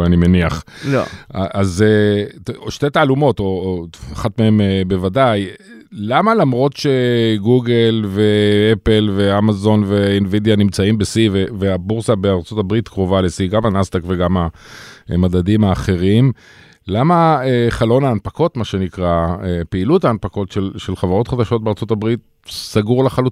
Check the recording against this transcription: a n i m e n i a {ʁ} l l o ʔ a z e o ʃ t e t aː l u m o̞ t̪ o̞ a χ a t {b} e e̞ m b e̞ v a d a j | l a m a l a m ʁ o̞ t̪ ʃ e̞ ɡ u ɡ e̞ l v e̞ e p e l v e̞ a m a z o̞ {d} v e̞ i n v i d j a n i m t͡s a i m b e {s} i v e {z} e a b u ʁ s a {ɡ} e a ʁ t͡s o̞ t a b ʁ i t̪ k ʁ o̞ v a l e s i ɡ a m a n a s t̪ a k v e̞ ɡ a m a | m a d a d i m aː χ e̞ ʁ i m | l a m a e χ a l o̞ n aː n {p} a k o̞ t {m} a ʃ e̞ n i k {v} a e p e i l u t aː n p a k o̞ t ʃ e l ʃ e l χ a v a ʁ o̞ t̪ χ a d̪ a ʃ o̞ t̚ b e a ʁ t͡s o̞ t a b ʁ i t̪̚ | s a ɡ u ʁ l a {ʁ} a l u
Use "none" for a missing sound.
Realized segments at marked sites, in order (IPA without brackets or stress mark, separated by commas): χ, m, n, s, v, b, p, m, ʁ, χ